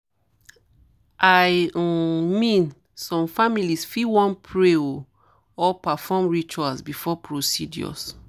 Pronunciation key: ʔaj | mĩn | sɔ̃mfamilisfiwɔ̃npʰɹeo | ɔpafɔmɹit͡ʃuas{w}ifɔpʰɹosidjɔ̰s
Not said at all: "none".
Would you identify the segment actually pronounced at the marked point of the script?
b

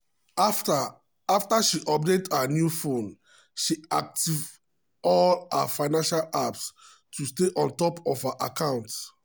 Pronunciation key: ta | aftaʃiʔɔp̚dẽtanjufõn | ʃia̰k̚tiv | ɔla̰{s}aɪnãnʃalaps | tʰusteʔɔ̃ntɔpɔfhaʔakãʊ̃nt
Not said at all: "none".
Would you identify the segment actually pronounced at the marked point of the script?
f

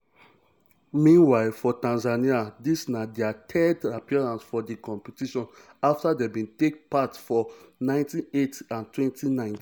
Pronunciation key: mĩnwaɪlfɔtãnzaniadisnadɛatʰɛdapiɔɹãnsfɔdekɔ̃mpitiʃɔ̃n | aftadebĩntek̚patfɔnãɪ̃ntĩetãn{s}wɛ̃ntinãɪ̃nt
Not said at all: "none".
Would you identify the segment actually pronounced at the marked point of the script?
t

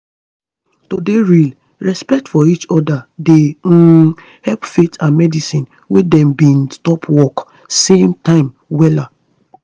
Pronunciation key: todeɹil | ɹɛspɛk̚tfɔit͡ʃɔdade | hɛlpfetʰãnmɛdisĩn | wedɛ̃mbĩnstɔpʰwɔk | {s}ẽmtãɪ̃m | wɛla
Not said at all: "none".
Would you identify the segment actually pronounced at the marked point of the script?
s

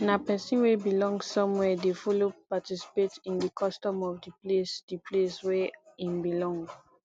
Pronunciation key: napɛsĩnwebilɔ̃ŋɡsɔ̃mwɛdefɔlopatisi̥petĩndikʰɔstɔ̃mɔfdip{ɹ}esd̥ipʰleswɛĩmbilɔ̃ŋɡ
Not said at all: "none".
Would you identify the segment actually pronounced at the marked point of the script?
l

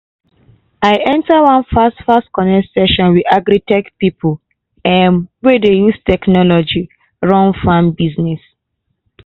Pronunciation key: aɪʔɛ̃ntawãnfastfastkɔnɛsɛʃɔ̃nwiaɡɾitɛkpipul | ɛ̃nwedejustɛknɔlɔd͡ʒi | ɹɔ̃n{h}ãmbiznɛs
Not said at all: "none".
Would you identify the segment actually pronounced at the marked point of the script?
f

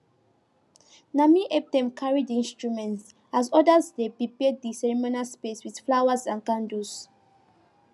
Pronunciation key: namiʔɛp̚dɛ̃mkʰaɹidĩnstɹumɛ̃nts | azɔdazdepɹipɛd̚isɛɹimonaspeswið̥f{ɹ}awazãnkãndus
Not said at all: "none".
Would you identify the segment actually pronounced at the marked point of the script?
l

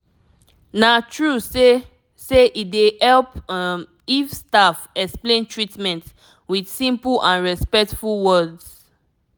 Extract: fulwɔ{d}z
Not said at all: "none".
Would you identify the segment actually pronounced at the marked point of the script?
d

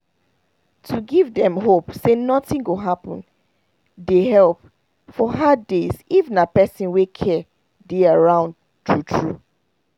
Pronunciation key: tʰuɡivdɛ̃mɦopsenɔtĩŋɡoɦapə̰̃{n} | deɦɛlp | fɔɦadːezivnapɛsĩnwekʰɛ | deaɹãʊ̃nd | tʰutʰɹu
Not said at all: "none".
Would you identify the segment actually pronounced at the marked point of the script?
n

